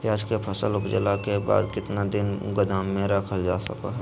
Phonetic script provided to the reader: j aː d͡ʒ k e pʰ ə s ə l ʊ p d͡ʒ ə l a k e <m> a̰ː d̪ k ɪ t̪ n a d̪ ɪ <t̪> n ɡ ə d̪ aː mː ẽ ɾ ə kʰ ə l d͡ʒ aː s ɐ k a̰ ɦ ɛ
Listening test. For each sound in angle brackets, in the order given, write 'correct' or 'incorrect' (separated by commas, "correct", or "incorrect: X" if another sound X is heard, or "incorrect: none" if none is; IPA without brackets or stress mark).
incorrect: b, incorrect: none